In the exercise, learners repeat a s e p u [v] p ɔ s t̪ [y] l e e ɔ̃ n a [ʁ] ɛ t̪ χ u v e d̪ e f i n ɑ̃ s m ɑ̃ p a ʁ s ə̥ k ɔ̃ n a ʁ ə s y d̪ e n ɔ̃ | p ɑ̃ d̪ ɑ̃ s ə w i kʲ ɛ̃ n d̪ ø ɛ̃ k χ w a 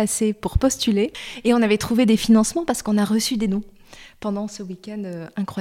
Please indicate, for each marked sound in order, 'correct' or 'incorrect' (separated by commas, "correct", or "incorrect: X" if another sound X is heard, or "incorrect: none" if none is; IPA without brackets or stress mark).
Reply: incorrect: ʁ, correct, incorrect: v